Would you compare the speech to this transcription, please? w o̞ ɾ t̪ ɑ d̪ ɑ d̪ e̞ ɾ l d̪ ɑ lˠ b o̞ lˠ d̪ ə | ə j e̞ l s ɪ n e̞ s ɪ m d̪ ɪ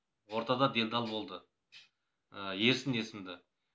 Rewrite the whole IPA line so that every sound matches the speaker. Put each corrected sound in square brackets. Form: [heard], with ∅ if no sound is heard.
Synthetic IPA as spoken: w o̞ ɾ t̪ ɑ d̪ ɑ d̪ e̞ [∅] l d̪ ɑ lˠ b o̞ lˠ d̪ ə | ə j e̞ [ɾ] s ɪ n e̞ s ɪ m d̪ ɪ